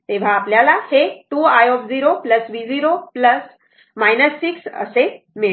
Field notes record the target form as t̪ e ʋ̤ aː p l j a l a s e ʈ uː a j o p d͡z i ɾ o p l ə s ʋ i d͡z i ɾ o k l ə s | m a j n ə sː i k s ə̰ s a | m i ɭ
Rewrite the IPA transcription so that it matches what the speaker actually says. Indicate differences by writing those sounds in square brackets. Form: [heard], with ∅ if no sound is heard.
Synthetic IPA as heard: t̪ e ʋ̤ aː p l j a l a [h] e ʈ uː a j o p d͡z i ɾ o p l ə s ʋ i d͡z i ɾ o [p] l ə s | m a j n ə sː i k s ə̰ s [e] | m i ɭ